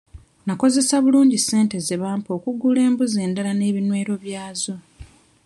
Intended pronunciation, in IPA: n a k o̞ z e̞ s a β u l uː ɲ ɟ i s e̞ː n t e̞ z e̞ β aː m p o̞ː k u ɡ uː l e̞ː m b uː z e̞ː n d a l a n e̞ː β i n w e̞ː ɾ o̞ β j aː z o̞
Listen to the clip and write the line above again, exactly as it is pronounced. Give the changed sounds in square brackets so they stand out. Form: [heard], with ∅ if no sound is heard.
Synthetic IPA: n a k o̞ z e̞ s a β u l uː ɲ ɟ i s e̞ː n t e̞ z e̞ β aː m p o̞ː k u ɡ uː l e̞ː m b [u] z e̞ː n d a l a n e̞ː β i n w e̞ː ɾ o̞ β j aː z o̞

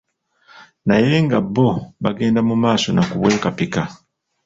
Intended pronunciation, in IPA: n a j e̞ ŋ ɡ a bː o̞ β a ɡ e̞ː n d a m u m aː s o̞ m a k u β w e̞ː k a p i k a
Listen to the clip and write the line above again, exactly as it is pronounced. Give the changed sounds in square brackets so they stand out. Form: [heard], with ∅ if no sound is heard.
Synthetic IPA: n a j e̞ ŋ ɡ a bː o̞ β a ɡ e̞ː n d a m u m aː s o̞ [n] a k u β w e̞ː k a p i k a

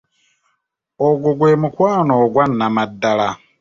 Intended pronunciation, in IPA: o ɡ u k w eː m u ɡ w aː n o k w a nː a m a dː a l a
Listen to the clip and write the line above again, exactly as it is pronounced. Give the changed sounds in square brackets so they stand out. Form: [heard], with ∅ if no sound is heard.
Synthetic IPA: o ɡ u [ɡ] w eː m u [k] w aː n o [ɡ] w a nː a m a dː a l a

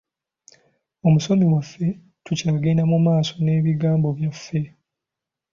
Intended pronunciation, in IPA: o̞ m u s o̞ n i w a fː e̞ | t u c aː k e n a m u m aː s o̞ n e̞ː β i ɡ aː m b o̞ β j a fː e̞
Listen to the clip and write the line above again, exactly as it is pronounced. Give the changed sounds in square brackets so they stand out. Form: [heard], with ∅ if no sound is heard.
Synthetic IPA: o̞ m u s o̞ [m] i w a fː e̞ | t u c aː [ɡ] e n a m u m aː s o̞ n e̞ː β i ɡ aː m b o̞ β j a fː e̞

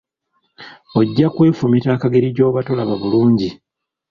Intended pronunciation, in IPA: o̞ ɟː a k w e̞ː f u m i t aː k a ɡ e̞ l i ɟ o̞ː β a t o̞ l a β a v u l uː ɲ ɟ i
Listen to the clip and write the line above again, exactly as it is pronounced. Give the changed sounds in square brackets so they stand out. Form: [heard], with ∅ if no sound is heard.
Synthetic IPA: o̞ ɟː a k w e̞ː f u m i t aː k a ɡ e̞ [ɾ] i ɟ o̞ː β a t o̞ l a β a [β] u l uː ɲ ɟ i

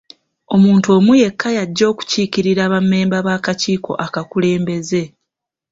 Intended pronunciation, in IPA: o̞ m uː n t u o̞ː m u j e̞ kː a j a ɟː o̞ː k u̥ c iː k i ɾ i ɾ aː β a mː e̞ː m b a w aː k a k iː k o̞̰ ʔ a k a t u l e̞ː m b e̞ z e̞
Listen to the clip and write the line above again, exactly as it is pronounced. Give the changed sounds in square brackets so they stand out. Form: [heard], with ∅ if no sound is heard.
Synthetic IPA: o̞ m uː n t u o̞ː m u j e̞ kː a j a ɟː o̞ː k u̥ c iː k i ɾ i ɾ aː β a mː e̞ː m b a [β] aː k a [c] iː k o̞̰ ʔ a k a [k] u l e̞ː m b e̞ z e̞

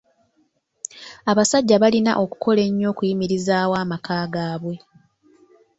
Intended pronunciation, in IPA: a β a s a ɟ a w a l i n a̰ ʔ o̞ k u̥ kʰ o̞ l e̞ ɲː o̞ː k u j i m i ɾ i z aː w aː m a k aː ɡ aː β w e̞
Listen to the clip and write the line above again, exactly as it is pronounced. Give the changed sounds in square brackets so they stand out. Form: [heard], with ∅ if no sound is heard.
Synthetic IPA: a β a s a [ɟː] a [β] a l i n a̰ ʔ o̞ k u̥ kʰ o̞ l e̞ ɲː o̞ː k u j i m i ɾ i z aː w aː m a k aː ɡ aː β w e̞

